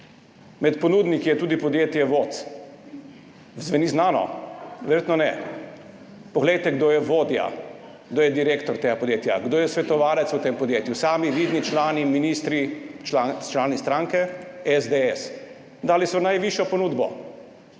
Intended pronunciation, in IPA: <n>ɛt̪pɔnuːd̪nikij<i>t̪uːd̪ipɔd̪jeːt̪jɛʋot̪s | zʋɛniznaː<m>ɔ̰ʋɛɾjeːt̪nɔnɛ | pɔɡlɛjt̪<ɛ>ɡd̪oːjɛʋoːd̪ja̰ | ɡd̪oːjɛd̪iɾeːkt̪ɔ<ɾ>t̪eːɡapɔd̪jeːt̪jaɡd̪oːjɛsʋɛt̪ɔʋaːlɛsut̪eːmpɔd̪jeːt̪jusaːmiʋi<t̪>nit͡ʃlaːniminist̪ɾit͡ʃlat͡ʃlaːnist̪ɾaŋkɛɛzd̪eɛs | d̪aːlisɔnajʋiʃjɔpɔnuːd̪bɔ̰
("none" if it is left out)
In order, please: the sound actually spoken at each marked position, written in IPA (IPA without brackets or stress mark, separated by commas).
m, ɛ, n, ɛ, ɾ, d̪